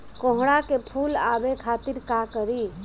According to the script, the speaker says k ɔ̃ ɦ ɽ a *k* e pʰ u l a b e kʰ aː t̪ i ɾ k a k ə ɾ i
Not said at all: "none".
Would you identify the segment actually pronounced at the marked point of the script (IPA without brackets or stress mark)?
k